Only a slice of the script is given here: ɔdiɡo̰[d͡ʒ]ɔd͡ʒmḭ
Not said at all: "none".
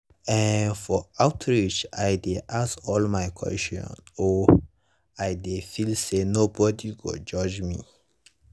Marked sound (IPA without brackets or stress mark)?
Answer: d͡ʒ